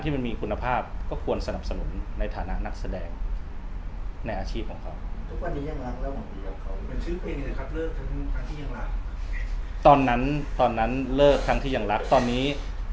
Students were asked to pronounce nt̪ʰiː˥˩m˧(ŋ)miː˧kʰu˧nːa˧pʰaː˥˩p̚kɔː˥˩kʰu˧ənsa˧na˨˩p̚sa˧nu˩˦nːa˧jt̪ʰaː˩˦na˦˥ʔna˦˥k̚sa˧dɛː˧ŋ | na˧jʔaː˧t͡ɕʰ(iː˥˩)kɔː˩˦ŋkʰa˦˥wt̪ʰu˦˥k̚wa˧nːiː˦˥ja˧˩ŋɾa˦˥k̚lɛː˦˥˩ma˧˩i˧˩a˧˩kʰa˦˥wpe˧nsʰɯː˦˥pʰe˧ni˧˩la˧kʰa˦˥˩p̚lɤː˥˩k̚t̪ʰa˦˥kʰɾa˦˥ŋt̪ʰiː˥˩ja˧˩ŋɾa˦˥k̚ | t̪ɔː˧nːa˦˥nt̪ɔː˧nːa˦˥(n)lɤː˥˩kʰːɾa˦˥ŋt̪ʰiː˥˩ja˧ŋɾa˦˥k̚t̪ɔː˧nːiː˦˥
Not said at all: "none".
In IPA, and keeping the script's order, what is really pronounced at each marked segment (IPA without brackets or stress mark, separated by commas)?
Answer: n, iː˥˩, n